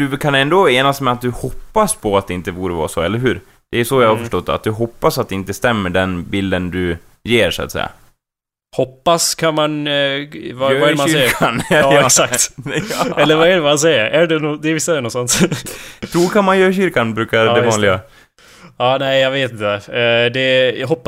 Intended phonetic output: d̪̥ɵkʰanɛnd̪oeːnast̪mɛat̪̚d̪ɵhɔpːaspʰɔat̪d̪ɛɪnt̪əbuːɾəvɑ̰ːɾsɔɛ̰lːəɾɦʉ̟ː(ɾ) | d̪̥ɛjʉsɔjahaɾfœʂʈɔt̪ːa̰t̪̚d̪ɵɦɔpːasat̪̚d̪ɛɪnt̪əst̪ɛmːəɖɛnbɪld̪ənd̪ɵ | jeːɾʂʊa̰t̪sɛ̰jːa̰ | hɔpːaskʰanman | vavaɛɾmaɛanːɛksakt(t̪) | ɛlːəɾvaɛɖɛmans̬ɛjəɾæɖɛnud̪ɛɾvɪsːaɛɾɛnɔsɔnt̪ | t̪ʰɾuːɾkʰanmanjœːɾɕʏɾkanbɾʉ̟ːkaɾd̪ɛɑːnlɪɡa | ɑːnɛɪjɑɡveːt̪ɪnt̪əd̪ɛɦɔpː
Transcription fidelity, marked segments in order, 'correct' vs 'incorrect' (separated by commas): correct, correct